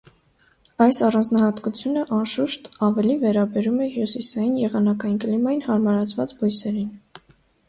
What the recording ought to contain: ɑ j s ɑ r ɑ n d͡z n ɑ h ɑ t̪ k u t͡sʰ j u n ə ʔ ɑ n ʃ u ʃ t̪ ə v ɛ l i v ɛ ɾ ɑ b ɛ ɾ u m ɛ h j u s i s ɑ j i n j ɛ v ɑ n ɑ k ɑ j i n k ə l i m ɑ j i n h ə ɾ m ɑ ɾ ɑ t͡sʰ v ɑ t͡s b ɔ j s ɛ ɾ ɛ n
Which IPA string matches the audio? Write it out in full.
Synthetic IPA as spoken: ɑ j s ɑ r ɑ n d͡z n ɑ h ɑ t̪ k u t͡sʰ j u n ə ʔ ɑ n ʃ u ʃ t̪ ɑ v ɛ l i v ɛ ɾ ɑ b ɛ ɾ u m ɛ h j u s i s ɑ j i n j ɛ ʁ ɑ n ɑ k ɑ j i n k ə l i m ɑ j i n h ɑ ɾ m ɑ ɾ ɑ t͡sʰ v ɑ t͡s b ɔ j s ɛ ɾ i n